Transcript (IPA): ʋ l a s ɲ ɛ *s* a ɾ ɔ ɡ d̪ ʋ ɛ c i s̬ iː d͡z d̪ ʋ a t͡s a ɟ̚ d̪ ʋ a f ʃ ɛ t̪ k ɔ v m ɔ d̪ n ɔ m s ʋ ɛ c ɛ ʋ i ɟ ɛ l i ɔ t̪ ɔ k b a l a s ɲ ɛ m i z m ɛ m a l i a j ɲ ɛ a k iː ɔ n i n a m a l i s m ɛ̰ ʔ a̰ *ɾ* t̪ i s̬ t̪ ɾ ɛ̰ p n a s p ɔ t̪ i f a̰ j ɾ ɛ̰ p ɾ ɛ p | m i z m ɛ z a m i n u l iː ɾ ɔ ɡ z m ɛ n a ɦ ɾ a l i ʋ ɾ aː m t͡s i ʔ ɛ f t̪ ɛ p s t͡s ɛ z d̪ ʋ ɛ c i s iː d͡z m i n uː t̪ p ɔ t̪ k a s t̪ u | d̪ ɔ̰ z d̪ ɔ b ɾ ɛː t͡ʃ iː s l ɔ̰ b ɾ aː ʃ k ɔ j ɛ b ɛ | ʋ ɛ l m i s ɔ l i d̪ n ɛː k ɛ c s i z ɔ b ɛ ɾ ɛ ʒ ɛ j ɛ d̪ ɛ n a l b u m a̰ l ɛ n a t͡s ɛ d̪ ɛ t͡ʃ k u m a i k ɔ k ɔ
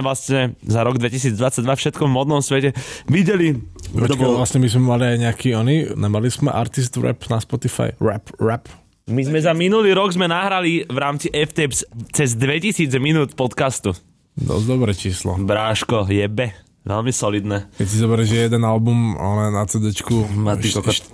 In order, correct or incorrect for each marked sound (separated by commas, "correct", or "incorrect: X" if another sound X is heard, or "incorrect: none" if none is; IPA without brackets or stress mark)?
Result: incorrect: z, correct